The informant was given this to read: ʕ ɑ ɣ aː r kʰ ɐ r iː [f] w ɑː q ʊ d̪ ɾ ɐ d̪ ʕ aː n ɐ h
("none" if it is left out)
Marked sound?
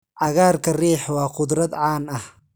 ħ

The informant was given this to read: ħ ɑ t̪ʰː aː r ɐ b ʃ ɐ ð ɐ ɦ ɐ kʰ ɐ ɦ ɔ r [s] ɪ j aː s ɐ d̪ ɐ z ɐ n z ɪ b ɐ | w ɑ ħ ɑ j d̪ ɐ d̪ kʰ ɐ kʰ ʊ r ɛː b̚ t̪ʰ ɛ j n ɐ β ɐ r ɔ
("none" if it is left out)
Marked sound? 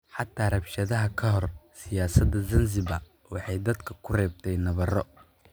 s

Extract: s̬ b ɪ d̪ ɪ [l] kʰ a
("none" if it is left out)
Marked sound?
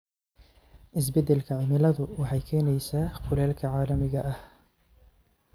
l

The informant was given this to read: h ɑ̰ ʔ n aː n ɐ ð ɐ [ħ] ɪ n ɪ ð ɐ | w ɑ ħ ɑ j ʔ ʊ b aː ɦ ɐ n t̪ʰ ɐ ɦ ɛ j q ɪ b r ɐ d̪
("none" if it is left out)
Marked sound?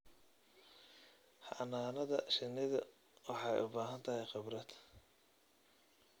ʃ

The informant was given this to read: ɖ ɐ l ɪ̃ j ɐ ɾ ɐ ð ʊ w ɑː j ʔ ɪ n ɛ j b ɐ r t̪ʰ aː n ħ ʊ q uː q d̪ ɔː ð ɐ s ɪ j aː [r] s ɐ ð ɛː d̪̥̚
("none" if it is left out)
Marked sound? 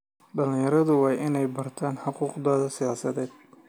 none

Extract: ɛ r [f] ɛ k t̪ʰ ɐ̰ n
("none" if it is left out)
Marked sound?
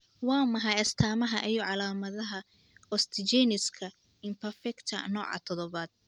f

